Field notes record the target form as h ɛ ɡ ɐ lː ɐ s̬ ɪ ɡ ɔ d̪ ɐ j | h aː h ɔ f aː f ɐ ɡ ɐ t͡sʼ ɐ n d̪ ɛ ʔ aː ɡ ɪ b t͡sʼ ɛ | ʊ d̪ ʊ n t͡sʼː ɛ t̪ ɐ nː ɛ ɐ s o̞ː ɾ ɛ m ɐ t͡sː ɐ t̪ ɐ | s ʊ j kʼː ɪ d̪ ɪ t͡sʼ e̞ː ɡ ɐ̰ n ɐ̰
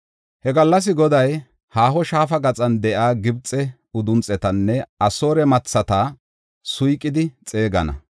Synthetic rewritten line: h ɛ ɡ ɐ lː ɐ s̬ ɪ ɡ ɔ d̪ ɐ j | h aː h ɔ ʃ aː f ɐ ɡ ɐ t͡sʼ ɐ n d̪ ɛ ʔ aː ɡ ɪ b t͡sʼ ɛ | ʊ d̪ ʊ n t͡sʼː ɛ t̪ ɐ nː ɛ ɐ s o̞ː ɾ ɛ m ɐ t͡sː ɐ t̪ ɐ | s ʊ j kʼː ɪ d̪ ɪ t͡sʼ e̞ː ɡ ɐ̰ n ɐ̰